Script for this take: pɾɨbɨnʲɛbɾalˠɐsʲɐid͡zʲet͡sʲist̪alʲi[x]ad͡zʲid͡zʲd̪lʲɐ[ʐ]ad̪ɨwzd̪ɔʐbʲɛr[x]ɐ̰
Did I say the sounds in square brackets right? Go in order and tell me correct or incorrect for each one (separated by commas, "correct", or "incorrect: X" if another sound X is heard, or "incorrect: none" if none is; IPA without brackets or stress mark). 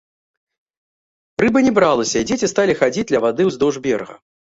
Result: correct, incorrect: v, incorrect: ɣ